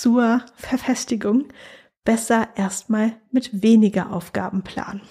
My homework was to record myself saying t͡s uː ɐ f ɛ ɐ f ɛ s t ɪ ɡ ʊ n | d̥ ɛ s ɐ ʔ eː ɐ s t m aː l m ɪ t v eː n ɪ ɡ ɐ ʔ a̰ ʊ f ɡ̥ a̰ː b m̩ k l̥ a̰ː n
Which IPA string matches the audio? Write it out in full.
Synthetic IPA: t͡s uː ɐ f ɛ ɐ f ɛ s t ɪ ɡ ʊ ŋ | b̥ ɛ s ɐ ʔ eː ɐ s t m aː l m ɪ t v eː n ɪ ɡ ɐ ʔ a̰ ʊ f ɡ̥ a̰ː b m̩ p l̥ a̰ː n